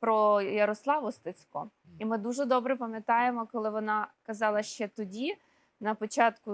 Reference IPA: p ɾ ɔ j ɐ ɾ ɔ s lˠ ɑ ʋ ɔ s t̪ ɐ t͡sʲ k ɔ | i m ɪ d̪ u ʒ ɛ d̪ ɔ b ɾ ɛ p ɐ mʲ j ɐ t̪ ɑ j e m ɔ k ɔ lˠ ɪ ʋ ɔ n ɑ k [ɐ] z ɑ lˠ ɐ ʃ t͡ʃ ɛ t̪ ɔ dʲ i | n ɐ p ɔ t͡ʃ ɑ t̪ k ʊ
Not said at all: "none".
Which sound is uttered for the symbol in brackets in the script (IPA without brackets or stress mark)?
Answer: ɐ